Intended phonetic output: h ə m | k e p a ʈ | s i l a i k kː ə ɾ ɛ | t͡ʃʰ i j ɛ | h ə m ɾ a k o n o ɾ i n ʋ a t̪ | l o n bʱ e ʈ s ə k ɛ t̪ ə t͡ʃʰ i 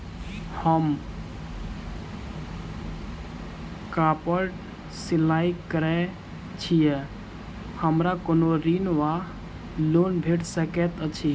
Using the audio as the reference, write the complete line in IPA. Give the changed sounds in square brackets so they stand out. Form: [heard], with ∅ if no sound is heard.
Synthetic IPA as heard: h ə m | k [a] p [ə] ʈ | s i l a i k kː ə ɾ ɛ | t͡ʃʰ i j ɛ | h ə m ɾ a k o n o ɾ i n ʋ a [∅] | l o n bʱ e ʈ s ə k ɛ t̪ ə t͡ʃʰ i